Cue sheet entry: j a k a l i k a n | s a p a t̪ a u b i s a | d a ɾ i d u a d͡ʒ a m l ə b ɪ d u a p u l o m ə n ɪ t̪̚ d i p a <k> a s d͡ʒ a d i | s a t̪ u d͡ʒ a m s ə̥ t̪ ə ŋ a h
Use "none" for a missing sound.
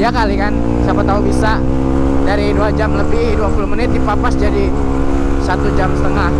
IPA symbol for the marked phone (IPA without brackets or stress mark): p